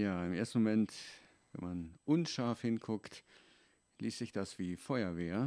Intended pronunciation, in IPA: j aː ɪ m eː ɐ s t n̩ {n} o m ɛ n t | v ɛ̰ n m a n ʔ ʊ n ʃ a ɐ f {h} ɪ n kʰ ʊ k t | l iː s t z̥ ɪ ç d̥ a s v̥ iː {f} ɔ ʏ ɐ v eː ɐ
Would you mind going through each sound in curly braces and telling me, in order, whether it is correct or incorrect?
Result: incorrect: m, correct, correct

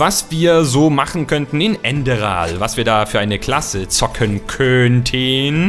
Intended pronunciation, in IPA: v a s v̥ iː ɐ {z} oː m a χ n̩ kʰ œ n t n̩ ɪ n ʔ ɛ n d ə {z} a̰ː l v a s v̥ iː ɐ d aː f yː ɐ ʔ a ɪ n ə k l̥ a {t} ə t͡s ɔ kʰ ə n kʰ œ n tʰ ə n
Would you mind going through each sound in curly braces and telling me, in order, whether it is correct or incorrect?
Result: correct, incorrect: ʁ, incorrect: s

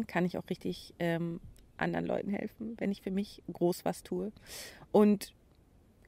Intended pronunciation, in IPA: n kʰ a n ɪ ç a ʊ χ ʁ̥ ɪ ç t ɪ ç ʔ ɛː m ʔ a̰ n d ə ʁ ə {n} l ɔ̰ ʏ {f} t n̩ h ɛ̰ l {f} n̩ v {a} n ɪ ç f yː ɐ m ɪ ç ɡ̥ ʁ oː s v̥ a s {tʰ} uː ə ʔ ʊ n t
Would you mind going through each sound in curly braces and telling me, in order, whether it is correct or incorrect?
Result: correct, incorrect: none, correct, incorrect: ɛ, correct

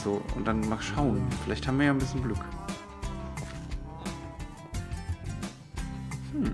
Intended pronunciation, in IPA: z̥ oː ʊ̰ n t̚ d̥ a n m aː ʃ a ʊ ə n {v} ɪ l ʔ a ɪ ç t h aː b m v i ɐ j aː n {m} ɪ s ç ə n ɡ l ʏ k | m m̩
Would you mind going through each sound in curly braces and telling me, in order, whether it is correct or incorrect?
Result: incorrect: f, incorrect: b

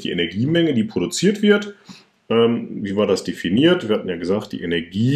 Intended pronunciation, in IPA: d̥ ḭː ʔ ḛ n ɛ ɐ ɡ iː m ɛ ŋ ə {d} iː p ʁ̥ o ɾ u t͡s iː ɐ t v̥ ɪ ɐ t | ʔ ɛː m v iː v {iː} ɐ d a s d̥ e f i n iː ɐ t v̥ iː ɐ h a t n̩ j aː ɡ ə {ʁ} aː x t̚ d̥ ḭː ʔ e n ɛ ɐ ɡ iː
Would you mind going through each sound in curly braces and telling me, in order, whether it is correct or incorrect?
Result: correct, incorrect: aː, incorrect: z

